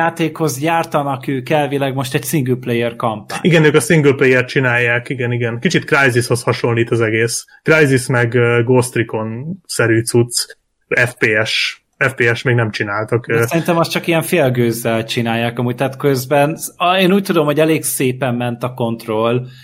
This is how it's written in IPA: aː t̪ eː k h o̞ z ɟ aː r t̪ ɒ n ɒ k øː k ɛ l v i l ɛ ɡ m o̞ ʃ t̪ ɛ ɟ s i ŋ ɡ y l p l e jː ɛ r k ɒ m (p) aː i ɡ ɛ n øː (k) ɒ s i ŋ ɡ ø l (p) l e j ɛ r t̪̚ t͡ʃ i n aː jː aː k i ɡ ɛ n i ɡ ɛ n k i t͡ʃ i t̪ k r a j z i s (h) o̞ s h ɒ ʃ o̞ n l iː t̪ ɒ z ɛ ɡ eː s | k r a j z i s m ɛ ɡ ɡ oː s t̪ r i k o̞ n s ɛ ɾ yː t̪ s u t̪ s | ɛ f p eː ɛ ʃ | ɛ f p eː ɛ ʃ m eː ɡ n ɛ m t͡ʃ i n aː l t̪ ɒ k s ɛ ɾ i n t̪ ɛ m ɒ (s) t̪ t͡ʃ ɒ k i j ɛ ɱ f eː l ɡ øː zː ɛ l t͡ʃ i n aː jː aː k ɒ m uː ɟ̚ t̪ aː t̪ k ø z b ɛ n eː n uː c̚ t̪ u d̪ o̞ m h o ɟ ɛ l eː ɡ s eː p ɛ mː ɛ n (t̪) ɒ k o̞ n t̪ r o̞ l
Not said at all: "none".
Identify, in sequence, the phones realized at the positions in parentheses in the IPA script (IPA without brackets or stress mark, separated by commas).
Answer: p, k, p, h, s, t̪